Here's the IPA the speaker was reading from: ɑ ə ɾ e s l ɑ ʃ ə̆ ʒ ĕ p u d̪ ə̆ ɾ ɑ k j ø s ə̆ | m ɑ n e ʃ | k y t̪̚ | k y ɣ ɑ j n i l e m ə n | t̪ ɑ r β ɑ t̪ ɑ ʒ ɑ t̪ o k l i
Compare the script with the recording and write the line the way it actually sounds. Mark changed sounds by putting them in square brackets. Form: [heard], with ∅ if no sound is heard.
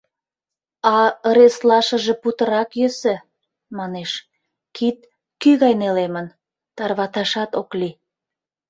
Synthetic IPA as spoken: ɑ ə ɾ e s l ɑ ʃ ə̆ ʒ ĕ p u [t̪] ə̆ ɾ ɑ k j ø s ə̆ | m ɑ n e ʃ | k [i] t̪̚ | k y ɣ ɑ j n [e] l e m ə n | t̪ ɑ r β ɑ t̪ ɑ [ʃ] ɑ t̪ o k l i